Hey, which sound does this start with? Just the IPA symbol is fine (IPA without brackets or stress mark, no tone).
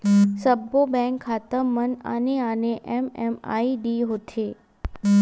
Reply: s